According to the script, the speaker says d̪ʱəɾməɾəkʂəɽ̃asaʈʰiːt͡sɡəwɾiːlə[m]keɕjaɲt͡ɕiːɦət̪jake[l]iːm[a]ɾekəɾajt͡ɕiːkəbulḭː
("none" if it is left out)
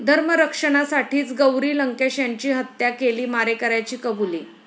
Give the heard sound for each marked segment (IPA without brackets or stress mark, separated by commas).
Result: ŋ, l, a